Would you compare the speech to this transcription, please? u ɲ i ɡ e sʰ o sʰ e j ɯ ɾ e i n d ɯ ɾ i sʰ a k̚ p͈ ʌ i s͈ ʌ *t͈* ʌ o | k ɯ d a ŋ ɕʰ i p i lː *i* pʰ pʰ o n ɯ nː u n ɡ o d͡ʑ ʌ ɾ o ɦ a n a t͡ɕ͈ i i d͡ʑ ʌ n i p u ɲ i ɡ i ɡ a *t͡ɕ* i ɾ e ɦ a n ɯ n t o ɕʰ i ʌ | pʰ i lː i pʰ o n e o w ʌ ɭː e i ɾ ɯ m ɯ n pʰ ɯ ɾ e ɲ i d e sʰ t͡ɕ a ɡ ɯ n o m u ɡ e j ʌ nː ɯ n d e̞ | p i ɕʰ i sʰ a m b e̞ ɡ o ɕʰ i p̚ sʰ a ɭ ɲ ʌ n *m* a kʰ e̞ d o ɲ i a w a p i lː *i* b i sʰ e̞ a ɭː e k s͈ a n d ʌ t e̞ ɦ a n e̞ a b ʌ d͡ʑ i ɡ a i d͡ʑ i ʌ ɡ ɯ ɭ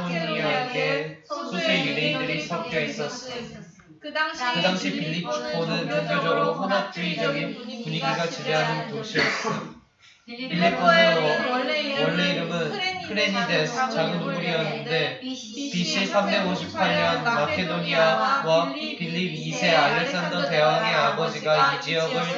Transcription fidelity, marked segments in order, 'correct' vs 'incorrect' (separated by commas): incorrect, correct, correct, correct, correct